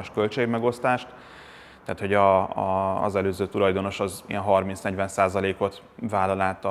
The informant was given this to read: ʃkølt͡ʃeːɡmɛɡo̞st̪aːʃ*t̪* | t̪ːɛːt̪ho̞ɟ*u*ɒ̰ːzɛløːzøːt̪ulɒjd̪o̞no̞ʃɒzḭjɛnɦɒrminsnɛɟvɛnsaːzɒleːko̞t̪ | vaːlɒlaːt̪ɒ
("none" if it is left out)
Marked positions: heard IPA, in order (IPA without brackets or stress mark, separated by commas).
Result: t̪, ɒ